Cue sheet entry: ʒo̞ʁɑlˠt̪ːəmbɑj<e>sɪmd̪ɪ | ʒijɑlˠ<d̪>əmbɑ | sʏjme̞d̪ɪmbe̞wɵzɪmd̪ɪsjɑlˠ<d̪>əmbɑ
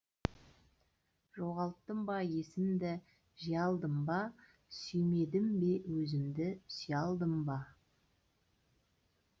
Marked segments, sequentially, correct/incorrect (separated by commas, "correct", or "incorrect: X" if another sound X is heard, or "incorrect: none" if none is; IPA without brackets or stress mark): correct, correct, correct